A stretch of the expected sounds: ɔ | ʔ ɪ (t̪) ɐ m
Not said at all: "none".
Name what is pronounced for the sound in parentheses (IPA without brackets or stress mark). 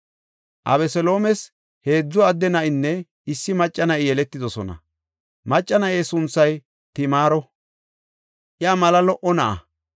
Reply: none